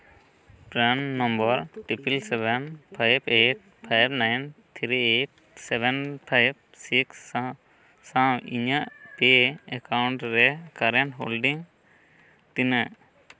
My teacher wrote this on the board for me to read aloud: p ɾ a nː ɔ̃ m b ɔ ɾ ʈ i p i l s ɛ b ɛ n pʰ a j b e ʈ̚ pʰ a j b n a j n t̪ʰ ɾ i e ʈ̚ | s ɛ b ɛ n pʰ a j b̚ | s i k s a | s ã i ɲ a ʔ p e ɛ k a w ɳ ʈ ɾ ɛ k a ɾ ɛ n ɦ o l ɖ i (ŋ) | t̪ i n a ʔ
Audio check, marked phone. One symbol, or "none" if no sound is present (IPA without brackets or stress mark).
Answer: ŋ